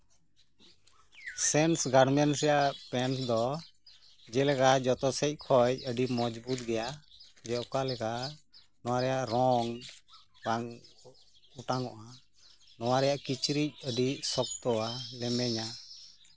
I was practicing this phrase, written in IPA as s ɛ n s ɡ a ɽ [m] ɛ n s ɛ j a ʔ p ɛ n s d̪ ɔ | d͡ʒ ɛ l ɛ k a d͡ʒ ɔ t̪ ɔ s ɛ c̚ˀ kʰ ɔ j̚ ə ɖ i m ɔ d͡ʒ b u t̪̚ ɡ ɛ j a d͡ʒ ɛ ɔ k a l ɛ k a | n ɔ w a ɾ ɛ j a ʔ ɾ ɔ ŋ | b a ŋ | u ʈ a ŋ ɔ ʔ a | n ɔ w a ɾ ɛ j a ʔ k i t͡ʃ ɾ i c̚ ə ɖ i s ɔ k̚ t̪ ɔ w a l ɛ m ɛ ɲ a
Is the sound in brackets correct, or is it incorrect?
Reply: correct